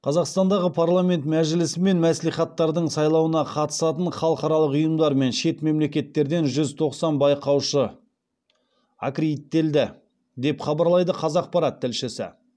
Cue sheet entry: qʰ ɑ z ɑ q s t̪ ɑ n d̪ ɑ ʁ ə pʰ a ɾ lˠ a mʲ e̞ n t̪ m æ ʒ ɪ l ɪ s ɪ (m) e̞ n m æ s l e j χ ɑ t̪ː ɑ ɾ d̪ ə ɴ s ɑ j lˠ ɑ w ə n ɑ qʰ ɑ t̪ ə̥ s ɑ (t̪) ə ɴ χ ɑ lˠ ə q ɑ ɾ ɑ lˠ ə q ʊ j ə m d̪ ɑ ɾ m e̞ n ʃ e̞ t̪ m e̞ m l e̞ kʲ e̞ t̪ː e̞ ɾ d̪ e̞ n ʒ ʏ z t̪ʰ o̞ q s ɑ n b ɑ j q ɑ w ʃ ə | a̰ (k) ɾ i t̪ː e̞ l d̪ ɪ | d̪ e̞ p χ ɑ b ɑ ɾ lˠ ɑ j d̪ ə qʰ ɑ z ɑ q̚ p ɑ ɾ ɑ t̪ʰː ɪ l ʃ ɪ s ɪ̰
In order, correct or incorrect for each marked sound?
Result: correct, correct, correct

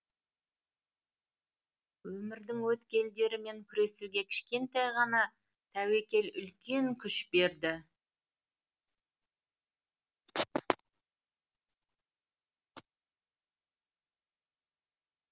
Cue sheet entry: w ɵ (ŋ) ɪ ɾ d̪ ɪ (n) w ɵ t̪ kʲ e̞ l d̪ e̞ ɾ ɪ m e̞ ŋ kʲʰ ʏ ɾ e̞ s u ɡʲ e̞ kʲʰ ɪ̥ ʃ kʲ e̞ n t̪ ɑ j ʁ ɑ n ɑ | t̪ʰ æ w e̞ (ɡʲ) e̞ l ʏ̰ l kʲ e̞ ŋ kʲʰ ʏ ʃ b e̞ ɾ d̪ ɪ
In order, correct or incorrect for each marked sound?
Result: incorrect: m, incorrect: ŋ, incorrect: kʲ

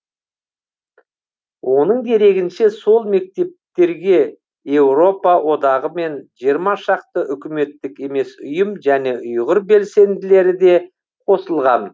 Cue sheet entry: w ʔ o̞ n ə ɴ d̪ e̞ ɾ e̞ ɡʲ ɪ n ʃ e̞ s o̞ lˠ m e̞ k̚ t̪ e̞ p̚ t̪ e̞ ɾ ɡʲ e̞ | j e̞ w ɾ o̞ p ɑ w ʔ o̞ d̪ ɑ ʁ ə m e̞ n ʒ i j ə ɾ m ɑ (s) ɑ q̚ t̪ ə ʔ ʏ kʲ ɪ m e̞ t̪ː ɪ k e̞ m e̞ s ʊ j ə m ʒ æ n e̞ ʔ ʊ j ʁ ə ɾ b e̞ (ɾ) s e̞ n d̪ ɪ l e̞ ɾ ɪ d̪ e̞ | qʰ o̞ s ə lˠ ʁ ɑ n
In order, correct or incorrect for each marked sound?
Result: incorrect: ʃ, incorrect: l

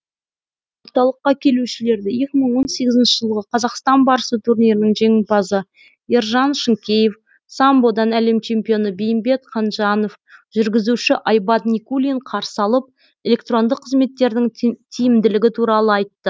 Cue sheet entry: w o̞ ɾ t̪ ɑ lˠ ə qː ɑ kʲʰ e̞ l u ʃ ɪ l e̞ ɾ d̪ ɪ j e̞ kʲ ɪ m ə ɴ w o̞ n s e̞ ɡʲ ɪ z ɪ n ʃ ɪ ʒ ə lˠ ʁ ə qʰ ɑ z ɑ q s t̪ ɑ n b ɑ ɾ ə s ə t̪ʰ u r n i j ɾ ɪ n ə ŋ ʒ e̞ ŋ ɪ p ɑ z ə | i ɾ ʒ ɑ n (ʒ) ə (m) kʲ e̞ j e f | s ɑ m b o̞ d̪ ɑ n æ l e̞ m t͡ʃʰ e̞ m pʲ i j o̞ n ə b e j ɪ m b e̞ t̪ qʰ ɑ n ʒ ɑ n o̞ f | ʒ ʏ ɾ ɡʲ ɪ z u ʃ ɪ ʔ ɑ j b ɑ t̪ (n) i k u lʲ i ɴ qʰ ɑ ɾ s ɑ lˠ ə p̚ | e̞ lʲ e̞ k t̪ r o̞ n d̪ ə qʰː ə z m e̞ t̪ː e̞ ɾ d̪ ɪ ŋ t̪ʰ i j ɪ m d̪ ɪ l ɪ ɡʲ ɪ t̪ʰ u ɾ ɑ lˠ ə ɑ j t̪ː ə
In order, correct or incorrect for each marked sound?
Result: incorrect: ʃ, incorrect: ŋ, correct

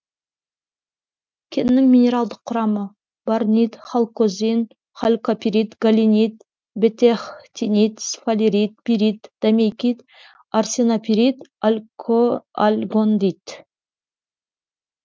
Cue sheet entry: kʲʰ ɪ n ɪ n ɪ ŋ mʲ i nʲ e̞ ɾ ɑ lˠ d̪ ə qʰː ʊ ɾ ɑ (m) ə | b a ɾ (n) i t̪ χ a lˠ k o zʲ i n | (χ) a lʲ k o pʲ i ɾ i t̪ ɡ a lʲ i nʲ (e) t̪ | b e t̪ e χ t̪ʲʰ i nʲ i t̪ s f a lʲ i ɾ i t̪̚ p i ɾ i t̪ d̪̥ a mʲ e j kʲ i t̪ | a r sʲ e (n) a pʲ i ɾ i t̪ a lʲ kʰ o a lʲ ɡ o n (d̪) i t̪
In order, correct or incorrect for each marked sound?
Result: correct, correct, correct, incorrect: i, correct, correct

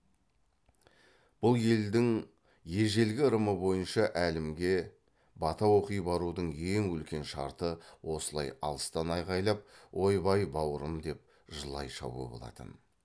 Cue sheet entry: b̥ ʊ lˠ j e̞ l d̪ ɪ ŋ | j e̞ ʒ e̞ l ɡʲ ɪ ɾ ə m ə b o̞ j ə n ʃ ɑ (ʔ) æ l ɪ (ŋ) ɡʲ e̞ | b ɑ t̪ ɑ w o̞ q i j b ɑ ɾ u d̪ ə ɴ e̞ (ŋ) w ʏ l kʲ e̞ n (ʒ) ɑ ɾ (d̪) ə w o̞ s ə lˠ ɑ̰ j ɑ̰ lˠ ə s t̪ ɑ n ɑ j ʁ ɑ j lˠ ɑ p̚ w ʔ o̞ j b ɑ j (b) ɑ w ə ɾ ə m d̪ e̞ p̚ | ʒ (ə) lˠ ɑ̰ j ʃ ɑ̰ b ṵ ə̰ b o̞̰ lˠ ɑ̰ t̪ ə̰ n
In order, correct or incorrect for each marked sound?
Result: correct, incorrect: m, correct, incorrect: ʃ, incorrect: t̪, correct, correct

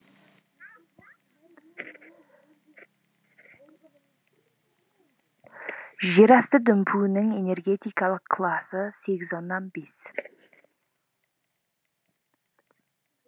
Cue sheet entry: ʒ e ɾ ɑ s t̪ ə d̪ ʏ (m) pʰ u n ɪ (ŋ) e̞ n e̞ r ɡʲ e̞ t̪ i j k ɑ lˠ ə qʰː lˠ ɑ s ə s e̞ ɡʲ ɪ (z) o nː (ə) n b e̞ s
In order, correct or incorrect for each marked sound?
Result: correct, correct, correct, incorrect: ɑ

